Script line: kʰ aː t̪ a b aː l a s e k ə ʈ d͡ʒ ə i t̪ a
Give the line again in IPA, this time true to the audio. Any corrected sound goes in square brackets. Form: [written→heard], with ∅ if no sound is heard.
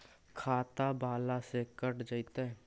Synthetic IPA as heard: kʰ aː t̪ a b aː l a s e k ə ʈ d͡ʒ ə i t̪ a